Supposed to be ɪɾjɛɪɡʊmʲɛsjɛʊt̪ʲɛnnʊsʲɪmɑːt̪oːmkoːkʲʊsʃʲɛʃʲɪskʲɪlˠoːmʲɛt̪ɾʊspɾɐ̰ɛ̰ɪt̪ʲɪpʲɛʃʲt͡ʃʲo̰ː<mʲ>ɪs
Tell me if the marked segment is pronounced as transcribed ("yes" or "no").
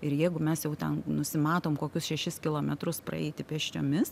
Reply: yes